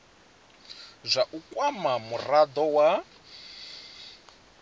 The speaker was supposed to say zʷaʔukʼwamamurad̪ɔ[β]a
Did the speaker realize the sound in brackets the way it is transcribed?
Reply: no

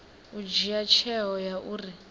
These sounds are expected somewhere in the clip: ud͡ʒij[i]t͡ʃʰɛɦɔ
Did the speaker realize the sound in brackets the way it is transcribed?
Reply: no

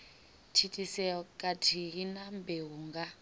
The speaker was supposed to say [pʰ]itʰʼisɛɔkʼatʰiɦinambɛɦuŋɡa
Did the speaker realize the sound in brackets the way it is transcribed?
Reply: no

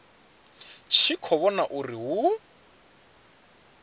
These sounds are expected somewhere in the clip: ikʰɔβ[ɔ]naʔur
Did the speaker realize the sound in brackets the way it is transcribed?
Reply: yes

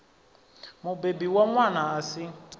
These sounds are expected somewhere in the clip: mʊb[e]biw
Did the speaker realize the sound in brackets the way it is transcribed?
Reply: yes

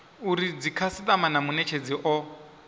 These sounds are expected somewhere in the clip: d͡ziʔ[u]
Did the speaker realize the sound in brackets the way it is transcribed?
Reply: no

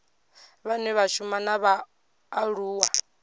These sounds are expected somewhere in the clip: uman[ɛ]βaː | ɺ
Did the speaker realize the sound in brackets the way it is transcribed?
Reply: no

